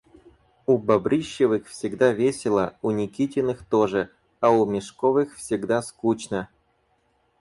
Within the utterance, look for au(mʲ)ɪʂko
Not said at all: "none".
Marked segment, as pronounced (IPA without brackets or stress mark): mʲ